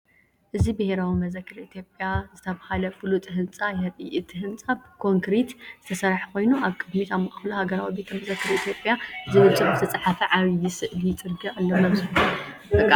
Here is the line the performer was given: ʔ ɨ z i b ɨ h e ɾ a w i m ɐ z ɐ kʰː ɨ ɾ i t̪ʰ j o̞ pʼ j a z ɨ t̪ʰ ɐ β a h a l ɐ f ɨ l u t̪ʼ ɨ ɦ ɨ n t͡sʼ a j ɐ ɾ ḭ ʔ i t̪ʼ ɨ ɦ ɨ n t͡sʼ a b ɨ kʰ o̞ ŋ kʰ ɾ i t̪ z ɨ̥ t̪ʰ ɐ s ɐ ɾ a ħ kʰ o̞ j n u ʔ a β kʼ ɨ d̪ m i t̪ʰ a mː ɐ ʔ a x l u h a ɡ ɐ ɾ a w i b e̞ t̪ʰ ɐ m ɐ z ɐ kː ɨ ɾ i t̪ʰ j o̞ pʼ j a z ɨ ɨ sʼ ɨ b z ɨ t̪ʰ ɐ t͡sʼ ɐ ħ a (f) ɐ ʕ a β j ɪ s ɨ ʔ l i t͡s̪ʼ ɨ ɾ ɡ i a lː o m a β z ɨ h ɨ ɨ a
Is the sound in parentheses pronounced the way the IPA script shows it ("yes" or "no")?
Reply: yes